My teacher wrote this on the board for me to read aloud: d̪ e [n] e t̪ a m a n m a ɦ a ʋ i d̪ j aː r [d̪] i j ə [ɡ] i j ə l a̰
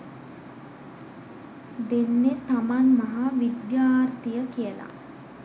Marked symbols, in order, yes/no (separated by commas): no, no, no